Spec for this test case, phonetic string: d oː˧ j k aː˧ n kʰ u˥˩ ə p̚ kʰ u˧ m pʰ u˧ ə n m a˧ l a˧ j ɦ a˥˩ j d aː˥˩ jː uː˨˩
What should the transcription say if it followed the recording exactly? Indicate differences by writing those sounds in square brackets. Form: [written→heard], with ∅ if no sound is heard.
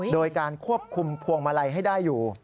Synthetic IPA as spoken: d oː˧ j k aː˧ n kʰ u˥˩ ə p̚ kʰ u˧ m pʰ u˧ ə [n→ŋ] m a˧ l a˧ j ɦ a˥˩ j d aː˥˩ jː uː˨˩